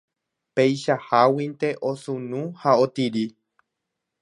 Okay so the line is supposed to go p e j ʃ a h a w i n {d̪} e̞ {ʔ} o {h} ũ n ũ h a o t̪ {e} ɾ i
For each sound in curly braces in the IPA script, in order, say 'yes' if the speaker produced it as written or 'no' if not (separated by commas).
no, yes, no, no